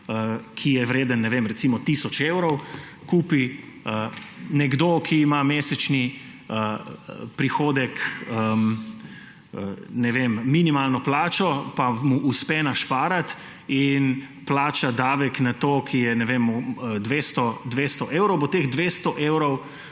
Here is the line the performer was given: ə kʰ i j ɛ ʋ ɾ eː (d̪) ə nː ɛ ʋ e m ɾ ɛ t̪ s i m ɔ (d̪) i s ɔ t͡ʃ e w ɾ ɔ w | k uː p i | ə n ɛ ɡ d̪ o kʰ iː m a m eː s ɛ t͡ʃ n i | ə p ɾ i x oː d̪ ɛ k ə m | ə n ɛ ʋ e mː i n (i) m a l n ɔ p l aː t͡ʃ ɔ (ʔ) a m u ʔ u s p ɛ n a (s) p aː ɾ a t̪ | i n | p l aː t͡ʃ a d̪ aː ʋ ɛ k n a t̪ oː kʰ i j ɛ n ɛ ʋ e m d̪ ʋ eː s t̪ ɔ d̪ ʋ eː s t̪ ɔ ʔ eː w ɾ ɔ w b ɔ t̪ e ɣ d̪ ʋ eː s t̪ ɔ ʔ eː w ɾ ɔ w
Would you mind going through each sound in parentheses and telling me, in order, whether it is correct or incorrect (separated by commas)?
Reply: correct, incorrect, correct, incorrect, incorrect